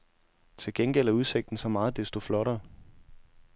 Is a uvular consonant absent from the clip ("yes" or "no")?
yes